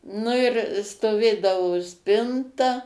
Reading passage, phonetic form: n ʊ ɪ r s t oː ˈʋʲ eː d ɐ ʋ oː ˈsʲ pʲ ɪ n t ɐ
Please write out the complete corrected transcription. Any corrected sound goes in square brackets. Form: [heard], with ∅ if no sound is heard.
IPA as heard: n ʊ ɪ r s t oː ˈʋʲ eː d ɐ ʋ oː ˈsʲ pʲ ɪ n t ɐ